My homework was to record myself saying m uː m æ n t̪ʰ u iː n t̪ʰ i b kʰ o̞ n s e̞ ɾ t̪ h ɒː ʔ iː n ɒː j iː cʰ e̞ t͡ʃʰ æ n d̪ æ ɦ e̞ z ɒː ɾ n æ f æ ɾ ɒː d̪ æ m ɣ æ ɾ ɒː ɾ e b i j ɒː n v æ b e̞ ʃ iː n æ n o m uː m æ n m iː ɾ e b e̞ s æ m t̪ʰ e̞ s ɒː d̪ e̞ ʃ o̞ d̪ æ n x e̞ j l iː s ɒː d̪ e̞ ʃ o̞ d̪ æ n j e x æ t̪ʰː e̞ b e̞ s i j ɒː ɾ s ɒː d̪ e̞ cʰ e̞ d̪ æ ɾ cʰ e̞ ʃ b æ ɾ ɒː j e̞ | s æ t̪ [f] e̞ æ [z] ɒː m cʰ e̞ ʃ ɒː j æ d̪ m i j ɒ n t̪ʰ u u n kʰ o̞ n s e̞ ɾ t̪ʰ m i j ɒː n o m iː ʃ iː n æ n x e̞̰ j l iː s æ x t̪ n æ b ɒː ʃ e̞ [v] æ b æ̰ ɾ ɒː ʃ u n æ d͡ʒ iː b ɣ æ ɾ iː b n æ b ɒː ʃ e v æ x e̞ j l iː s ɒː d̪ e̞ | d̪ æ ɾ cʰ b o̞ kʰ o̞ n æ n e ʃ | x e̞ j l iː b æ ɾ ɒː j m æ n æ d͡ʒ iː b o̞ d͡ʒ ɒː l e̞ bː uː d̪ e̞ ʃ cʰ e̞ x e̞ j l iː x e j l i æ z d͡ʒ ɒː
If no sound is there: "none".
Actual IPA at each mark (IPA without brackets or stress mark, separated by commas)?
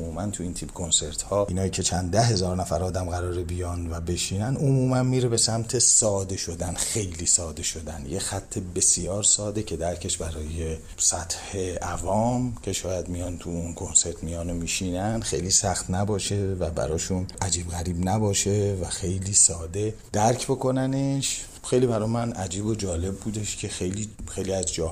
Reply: h, v, v